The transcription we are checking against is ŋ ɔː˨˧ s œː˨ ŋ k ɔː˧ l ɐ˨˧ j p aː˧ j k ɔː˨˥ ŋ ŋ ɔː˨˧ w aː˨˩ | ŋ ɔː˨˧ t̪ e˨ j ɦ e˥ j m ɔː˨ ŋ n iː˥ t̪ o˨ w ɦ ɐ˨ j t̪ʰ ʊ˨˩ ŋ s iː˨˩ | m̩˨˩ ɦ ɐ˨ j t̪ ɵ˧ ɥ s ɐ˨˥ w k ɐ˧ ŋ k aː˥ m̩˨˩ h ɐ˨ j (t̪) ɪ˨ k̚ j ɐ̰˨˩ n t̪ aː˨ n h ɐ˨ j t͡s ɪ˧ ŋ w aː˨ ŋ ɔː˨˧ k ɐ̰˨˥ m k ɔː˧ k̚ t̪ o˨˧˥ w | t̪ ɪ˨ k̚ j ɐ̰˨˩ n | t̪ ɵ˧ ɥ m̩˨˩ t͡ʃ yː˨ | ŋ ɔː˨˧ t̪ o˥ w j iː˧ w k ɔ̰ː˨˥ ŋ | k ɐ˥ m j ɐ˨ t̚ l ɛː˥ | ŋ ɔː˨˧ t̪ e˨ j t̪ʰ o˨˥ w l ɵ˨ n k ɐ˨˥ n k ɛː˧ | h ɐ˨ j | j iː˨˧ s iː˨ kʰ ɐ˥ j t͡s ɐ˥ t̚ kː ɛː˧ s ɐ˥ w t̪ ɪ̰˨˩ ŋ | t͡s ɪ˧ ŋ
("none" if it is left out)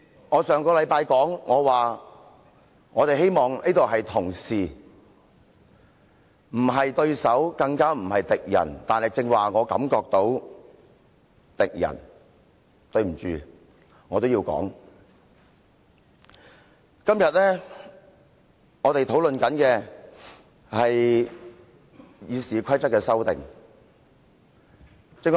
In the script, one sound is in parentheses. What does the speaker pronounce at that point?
t̪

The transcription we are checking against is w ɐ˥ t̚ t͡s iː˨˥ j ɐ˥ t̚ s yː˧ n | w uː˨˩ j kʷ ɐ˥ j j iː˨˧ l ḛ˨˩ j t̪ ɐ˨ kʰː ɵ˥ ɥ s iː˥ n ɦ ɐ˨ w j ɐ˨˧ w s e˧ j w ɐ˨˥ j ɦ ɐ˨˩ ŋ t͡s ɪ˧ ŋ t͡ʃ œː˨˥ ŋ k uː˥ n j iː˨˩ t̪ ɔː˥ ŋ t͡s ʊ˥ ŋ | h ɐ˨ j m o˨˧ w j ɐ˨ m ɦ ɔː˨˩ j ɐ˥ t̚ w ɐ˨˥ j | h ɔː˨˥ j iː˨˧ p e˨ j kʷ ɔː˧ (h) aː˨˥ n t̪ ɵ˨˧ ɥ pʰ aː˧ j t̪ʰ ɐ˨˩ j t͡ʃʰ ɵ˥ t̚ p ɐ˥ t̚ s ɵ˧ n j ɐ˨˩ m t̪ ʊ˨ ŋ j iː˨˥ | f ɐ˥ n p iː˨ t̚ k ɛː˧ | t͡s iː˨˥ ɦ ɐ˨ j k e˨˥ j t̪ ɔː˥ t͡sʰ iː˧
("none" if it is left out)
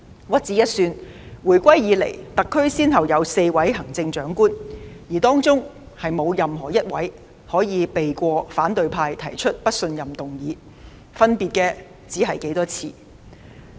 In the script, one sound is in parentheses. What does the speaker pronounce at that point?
f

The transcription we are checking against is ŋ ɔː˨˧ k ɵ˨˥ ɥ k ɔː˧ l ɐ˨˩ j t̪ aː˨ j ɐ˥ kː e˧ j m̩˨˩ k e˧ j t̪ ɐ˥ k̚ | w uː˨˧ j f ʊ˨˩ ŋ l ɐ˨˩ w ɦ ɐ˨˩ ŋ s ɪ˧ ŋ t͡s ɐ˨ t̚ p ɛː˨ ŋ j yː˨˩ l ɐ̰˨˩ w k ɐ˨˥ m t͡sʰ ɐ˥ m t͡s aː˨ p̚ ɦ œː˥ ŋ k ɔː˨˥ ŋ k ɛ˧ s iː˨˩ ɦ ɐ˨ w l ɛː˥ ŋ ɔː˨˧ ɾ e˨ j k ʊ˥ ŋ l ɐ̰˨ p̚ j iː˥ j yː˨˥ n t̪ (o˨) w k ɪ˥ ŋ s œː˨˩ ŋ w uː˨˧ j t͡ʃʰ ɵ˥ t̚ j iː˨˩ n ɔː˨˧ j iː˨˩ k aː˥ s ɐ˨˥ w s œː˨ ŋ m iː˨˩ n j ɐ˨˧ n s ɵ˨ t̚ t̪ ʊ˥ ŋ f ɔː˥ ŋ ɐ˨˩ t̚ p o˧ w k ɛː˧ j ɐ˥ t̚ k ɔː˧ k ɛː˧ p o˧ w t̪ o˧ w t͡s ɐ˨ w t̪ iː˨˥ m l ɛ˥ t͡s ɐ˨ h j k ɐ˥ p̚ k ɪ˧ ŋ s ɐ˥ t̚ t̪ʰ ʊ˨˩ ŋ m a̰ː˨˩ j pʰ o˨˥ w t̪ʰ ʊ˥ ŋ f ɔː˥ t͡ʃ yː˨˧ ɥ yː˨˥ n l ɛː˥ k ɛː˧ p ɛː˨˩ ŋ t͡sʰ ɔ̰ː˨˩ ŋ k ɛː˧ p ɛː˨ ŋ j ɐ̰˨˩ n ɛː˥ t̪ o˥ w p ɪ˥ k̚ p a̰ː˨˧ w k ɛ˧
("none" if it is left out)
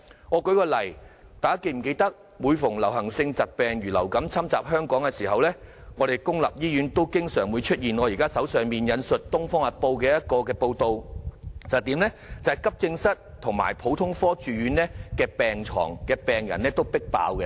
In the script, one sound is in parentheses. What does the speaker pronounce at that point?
o˥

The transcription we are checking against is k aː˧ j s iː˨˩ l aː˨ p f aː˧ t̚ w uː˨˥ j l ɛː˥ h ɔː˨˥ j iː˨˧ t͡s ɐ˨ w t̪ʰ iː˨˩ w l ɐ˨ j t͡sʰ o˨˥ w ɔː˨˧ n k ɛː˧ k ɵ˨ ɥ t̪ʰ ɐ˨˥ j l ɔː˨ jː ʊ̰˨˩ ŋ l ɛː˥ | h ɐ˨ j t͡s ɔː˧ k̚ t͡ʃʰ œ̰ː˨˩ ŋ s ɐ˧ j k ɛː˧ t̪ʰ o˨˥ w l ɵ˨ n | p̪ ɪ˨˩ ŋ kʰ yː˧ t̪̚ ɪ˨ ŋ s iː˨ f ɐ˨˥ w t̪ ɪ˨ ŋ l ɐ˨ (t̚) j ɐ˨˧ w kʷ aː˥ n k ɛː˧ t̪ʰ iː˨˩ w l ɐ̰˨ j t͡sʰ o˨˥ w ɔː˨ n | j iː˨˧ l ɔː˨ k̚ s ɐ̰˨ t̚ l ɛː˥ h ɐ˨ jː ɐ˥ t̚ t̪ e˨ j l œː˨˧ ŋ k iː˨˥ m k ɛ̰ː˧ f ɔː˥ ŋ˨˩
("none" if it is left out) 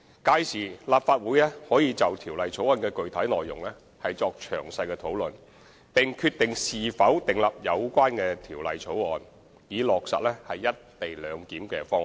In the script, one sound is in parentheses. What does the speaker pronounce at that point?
p̚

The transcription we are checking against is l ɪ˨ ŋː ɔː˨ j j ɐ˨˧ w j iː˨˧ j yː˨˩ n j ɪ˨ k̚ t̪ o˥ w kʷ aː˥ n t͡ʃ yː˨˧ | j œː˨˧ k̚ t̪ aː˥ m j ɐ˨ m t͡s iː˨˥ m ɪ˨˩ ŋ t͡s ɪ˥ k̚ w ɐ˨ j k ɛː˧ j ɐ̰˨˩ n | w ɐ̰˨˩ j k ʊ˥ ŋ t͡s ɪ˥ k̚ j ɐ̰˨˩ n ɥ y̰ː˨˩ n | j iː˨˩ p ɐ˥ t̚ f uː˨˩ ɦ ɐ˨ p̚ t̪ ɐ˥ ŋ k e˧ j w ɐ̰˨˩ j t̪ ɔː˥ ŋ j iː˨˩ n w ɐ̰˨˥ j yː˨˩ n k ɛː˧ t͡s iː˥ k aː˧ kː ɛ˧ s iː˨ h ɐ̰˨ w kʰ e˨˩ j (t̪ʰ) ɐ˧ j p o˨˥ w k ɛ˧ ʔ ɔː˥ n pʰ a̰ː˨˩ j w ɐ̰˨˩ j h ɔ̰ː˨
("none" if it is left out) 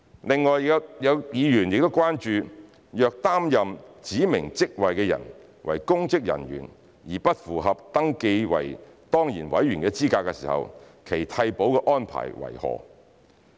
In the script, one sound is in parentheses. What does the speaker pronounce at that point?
t̪ʰ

